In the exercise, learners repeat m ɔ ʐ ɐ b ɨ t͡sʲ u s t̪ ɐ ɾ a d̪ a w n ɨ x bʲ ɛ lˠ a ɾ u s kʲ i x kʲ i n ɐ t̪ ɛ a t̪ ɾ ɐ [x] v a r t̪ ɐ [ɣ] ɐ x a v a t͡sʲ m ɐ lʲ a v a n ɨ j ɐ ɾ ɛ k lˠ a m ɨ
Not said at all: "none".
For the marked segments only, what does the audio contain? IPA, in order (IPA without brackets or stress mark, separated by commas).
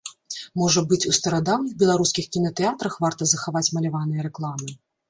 x, z